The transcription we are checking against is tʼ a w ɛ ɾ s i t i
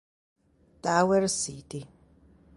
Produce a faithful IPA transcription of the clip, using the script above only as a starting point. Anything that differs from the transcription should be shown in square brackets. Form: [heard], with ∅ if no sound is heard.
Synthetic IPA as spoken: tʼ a w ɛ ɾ s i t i